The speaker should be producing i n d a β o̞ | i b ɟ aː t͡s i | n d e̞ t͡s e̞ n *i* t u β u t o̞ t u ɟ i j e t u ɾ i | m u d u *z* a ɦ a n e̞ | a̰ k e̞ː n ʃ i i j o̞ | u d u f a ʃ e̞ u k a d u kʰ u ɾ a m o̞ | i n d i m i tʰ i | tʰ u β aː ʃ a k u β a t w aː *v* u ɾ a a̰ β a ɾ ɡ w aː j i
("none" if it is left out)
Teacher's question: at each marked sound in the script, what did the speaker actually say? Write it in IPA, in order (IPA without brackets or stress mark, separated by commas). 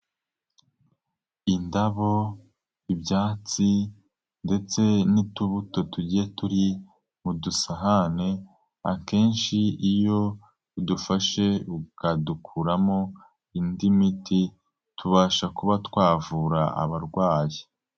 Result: i, s, v